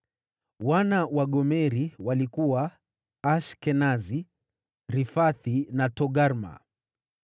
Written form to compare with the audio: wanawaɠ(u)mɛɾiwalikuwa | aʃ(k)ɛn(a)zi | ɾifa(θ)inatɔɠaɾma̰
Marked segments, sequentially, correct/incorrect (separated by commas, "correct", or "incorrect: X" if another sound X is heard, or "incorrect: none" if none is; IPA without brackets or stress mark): incorrect: ɔ, correct, correct, correct